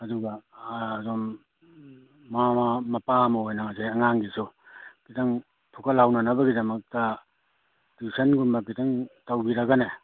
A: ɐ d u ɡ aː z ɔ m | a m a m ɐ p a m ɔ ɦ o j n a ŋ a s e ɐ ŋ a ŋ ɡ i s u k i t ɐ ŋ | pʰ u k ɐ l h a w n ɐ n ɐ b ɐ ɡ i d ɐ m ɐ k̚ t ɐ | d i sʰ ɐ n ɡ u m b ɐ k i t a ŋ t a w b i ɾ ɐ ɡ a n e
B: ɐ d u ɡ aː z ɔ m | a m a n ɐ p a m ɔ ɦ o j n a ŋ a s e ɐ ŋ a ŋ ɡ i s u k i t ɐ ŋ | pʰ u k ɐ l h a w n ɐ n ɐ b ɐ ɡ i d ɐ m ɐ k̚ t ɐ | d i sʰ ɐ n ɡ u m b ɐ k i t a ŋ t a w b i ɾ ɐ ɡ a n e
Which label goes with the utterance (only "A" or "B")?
A